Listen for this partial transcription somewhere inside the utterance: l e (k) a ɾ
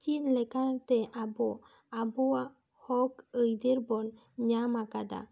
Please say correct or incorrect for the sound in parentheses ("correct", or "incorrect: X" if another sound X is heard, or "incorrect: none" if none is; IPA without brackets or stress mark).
correct